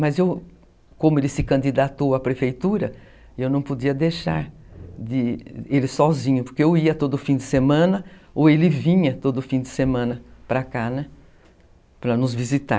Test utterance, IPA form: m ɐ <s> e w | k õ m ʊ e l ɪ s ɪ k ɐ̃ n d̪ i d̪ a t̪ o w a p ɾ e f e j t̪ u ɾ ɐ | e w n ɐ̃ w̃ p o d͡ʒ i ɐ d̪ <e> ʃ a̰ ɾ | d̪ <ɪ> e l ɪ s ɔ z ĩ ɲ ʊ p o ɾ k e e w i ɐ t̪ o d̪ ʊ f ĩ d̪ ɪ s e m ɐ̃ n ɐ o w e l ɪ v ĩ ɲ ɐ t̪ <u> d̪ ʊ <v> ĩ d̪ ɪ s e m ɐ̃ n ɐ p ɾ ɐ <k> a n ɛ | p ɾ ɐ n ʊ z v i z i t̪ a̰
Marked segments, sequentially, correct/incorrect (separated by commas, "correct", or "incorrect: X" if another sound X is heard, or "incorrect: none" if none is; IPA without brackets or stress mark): incorrect: z, correct, correct, incorrect: o, incorrect: f, correct